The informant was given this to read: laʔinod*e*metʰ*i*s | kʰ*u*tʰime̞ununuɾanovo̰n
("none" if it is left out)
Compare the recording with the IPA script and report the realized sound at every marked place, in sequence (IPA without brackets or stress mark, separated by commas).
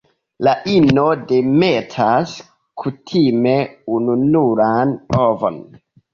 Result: e, a, u